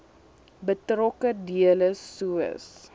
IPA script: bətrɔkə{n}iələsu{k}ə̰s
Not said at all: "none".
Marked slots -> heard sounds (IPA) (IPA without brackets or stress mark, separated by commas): d, none